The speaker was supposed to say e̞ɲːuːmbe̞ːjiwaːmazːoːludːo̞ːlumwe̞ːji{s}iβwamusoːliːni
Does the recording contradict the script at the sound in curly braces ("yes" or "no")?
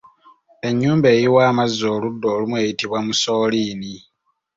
yes